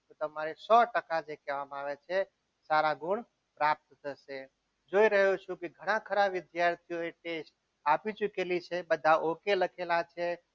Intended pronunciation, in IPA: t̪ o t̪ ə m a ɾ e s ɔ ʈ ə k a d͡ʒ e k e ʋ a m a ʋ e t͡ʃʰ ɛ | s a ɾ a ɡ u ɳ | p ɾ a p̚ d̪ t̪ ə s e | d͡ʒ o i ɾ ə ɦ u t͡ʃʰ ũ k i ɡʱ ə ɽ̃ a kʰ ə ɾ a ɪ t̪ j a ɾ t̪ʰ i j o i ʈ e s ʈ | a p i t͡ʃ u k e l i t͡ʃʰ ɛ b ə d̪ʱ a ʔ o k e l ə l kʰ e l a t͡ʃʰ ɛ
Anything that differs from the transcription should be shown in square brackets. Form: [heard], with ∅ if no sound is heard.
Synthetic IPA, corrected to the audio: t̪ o t̪ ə m a ɾ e s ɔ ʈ ə k a d͡ʒ e k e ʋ a m a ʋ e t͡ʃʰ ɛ | s a ɾ a ɡ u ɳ | p ɾ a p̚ [t̪] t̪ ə s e | d͡ʒ o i ɾ ə ɦ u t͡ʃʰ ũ k i ɡʱ ə ɽ̃ a kʰ ə ɾ a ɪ [d̪] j a ɾ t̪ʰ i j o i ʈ e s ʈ | a p i t͡ʃ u k e l i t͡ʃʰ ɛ b ə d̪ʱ a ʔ o k e l ə [∅] kʰ e l a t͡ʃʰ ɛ